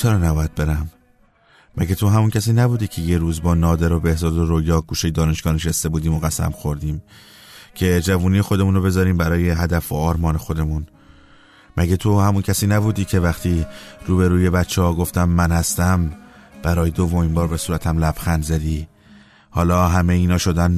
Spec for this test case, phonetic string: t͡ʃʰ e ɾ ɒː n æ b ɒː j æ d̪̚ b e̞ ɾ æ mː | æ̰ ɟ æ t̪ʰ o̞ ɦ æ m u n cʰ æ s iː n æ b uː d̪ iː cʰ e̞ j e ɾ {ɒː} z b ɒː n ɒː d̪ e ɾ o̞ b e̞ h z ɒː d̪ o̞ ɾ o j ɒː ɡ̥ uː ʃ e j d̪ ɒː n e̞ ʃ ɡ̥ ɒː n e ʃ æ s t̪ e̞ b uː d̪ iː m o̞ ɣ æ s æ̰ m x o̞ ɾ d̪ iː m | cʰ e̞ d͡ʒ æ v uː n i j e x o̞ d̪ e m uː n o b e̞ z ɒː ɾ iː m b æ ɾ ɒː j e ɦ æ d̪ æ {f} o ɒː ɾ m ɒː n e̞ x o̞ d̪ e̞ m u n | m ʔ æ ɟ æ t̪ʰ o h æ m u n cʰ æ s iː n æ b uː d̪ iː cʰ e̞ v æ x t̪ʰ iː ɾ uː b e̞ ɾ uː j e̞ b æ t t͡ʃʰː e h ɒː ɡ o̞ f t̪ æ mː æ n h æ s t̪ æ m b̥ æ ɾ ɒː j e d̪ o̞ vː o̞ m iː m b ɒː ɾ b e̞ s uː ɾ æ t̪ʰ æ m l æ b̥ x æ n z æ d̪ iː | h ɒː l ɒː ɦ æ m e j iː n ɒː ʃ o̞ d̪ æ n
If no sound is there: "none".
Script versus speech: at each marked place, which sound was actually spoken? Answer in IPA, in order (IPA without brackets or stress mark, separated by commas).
uː, f